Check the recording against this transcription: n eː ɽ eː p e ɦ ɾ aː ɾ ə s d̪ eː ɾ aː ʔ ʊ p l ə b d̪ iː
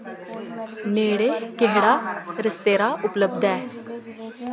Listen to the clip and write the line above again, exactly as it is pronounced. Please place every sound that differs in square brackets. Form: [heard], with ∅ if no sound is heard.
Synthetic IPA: n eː ɽ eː [k] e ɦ [ɽ] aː ɾ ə s [t̪] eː ɾ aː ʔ ʊ p l ə b d̪ [ɛː]